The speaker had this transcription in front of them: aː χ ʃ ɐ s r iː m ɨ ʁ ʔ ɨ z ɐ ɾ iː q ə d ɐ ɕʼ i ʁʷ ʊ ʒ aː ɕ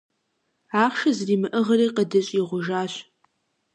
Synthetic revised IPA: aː χ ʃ ɐ z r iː m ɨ ʔ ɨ ʁ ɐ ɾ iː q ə d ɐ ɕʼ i ʁʷ ʊ ʒ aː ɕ